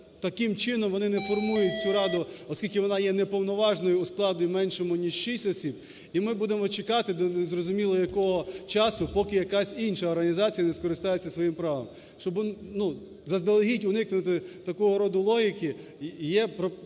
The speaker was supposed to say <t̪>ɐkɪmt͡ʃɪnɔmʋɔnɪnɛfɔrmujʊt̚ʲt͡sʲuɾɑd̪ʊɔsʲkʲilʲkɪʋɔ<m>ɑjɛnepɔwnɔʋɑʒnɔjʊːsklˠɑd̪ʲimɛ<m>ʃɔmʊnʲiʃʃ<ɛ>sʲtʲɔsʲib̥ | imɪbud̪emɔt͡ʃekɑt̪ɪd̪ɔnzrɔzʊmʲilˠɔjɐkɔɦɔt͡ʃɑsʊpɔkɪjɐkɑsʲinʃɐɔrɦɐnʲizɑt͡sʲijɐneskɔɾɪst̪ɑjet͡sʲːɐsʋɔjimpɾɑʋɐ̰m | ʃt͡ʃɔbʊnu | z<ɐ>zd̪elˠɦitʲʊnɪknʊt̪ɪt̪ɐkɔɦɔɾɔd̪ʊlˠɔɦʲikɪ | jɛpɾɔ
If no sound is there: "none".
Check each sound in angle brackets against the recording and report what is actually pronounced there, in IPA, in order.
t̪, n, n, i, ɐ

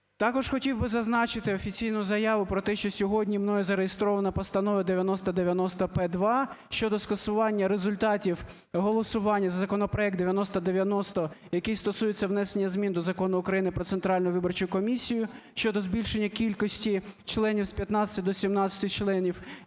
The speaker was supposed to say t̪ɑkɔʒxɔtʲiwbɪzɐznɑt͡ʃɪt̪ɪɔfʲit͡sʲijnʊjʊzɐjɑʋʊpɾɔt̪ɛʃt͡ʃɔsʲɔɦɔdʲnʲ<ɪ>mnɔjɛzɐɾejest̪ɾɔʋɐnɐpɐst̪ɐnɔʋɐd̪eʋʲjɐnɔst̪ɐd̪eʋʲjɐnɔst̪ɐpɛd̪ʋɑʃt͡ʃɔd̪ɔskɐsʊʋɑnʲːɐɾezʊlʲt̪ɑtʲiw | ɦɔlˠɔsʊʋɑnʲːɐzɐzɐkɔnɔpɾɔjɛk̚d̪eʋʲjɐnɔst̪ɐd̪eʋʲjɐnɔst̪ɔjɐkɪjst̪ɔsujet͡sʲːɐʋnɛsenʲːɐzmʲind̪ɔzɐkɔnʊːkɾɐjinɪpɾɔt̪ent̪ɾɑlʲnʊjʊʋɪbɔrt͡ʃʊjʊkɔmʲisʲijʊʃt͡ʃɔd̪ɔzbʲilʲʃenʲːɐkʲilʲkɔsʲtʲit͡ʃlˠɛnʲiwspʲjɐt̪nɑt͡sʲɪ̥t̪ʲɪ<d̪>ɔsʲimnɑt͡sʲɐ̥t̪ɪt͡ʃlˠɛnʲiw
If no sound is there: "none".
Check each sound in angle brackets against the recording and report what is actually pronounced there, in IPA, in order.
i, d̪

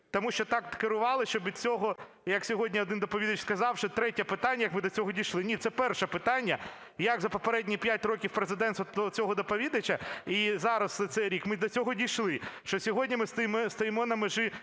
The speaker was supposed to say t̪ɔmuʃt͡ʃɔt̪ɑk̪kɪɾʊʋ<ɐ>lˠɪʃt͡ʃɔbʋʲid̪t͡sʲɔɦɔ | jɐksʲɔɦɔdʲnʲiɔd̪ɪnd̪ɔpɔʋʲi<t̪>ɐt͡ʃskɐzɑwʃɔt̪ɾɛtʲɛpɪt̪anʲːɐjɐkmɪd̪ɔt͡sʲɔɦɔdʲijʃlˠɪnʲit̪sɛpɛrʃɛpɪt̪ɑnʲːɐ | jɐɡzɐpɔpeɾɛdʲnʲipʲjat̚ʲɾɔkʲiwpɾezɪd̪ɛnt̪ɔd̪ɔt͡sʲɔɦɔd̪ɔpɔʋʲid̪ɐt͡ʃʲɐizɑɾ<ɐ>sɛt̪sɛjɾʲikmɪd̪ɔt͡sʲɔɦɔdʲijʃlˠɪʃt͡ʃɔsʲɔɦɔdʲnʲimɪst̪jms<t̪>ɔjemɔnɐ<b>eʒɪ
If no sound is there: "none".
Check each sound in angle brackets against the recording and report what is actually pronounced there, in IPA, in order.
ɑ, d̪, ɐ, t̪, m

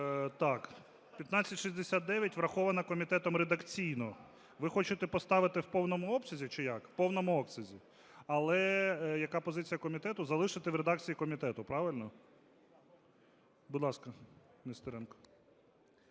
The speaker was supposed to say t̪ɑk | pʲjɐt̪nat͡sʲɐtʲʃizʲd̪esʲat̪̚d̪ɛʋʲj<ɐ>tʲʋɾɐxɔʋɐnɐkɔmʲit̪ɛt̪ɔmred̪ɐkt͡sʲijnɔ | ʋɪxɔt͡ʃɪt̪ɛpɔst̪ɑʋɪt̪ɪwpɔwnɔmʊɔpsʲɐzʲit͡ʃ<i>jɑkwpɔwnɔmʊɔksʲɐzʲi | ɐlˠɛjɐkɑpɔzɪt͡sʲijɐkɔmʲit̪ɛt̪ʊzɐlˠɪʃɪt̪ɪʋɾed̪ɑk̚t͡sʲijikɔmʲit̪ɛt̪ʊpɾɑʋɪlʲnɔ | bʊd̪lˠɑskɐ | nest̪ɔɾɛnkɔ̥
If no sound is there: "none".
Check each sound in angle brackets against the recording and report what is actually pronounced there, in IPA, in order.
ɐ, ɪ

